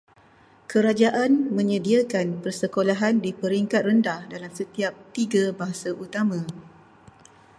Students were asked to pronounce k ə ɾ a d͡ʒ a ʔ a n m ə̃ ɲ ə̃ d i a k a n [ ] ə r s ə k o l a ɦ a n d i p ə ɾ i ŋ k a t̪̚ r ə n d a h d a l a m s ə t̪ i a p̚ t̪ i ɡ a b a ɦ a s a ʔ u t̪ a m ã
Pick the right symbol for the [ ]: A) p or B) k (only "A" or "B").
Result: A